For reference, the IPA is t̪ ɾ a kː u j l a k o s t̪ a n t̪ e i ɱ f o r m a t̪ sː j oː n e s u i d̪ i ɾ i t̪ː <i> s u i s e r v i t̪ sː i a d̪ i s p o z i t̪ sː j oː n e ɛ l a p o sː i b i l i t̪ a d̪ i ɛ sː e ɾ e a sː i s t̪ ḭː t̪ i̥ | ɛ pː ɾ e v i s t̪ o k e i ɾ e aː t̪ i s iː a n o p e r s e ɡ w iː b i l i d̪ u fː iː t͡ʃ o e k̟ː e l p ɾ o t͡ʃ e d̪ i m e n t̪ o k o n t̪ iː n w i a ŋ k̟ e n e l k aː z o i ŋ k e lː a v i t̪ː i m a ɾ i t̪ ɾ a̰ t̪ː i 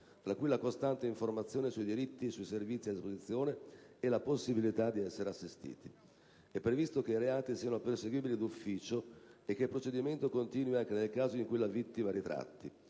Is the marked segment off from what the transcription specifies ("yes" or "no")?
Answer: no